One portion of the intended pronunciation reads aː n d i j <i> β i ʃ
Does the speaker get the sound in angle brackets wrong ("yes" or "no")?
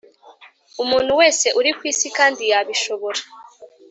yes